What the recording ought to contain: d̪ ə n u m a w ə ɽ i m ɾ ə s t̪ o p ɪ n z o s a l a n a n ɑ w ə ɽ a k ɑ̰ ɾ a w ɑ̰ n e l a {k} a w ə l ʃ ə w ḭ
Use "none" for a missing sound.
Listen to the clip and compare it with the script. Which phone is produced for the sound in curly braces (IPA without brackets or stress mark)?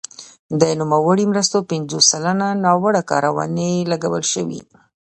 ɡ